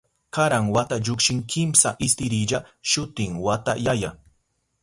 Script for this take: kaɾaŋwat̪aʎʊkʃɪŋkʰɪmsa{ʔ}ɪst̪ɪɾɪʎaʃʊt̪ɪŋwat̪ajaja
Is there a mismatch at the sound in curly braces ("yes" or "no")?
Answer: no